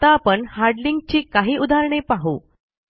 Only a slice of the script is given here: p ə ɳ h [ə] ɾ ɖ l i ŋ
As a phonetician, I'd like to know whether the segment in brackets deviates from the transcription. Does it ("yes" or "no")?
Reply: yes